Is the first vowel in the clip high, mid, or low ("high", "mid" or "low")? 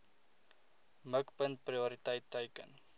mid